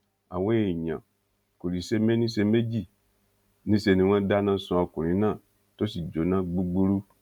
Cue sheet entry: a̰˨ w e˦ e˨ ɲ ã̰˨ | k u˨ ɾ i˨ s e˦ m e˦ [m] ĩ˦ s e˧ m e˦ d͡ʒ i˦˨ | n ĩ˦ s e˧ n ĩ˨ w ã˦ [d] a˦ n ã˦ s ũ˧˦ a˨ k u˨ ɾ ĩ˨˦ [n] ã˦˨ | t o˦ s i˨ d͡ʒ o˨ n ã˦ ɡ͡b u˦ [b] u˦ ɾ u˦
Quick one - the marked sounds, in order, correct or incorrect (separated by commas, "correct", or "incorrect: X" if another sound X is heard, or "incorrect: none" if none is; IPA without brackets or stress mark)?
incorrect: n, correct, correct, incorrect: ɡ͡b